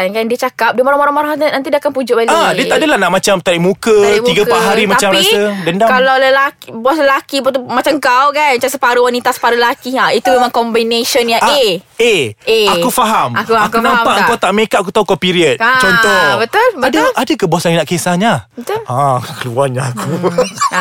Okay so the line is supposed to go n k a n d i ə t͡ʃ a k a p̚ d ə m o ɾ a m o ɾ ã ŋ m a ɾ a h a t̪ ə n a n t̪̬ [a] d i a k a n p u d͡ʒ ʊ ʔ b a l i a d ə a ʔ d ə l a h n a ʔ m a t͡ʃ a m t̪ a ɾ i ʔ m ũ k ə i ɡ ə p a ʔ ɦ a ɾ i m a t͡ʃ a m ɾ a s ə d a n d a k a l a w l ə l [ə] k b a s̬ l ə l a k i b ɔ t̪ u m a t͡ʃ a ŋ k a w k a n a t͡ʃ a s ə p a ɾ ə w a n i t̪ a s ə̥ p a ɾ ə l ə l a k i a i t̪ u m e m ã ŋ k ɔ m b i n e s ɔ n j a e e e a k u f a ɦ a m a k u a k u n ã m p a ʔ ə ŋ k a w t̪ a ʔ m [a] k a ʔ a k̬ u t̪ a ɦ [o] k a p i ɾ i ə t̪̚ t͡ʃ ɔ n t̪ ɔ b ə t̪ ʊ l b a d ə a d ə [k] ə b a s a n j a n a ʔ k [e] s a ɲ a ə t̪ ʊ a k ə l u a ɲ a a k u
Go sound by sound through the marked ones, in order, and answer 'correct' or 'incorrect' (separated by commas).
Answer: incorrect, incorrect, incorrect, incorrect, correct, correct